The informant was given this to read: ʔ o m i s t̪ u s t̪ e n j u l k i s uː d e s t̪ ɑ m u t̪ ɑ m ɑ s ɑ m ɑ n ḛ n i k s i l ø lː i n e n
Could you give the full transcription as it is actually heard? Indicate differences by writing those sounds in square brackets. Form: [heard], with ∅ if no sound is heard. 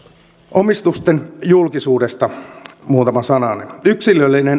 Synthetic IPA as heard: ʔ o m i s t̪ u s t̪ e n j u l k i s uː d e s t̪ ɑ m [uː] t̪ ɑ m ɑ s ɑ [n] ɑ n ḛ n [y] k s i l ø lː i n e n